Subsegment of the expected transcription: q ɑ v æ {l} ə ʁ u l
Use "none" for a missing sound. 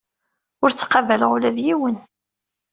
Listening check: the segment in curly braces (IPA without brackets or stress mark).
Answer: l